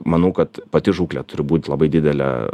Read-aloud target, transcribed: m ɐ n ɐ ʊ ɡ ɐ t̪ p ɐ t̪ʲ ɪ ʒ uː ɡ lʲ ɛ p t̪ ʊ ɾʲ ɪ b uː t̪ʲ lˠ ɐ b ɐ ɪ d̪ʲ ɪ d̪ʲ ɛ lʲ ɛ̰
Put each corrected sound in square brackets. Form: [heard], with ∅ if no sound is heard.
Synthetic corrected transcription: m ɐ n ɐ ʊ [k] ɐ t̪ p ɐ t̪ʲ ɪ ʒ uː [k] lʲ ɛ [∅] t̪ ʊ ɾʲ ɪ b uː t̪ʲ lˠ ɐ b ɐ ɪ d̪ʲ ɪ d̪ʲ ɛ lʲ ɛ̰

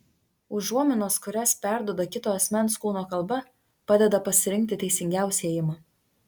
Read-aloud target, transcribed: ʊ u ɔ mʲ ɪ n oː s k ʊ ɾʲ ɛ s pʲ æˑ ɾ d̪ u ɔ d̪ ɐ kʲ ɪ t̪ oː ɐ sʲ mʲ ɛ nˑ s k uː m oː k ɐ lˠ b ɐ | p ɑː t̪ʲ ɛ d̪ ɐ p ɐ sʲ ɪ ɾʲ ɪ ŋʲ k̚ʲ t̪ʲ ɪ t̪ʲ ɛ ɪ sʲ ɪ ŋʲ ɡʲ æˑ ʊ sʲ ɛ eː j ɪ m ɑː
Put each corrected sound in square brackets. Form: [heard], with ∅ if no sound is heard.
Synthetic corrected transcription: ʊ u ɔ mʲ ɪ n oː s k ʊ ɾʲ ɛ s pʲ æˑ ɾ d̪ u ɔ d̪ ɐ kʲ ɪ t̪ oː ɐ sʲ mʲ ɛ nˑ s k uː [n] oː k ɐ lˠ b ɐ | p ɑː [d̪ʲ] ɛ d̪ ɐ p ɐ sʲ ɪ ɾʲ ɪ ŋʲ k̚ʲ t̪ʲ ɪ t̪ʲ ɛ ɪ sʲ ɪ ŋʲ ɡʲ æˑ ʊ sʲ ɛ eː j ɪ m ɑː

